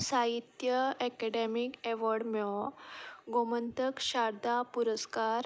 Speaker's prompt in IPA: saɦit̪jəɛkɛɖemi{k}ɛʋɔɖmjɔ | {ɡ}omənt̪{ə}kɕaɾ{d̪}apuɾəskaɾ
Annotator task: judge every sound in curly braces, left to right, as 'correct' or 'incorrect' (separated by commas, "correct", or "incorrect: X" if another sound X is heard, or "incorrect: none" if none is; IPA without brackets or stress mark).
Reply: correct, correct, correct, correct